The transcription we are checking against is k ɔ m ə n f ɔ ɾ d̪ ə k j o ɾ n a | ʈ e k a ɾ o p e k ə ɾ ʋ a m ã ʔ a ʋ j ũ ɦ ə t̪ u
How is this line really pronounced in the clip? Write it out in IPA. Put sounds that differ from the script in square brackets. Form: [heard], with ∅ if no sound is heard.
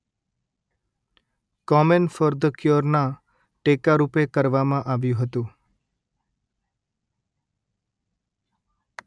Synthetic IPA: k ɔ m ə n f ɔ ɾ d̪ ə k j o ɾ n a | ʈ e k a ɾ [u] p e k ə ɾ ʋ a m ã ʔ a ʋ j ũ ɦ ə t̪ [ũ]